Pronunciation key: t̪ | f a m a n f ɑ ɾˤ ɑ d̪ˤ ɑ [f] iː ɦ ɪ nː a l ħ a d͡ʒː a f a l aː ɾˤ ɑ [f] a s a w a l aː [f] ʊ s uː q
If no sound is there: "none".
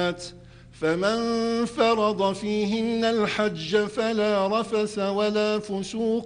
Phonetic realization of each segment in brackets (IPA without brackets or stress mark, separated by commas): f, f, f